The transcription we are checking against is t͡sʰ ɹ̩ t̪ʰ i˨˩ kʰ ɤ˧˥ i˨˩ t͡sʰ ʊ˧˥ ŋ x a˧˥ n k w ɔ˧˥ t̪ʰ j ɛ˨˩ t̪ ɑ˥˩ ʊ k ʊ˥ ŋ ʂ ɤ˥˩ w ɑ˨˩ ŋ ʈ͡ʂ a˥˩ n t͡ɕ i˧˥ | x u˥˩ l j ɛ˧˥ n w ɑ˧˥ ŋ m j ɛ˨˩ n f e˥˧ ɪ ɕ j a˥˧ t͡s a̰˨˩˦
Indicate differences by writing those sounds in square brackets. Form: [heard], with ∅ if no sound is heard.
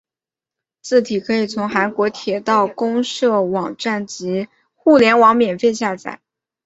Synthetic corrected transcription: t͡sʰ ɹ̩ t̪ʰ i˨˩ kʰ ɤ˧˥ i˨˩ t͡sʰ ʊ˧˥ ŋ x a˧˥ n k w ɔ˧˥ t̪ʰ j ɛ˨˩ t̪ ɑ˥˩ ʊ k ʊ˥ ŋ ʂ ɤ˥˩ w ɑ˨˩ ŋ ʈ͡ʂ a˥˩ n t͡ɕ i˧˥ | x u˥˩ l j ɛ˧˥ n w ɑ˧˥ ŋ m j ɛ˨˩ n f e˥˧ ɪ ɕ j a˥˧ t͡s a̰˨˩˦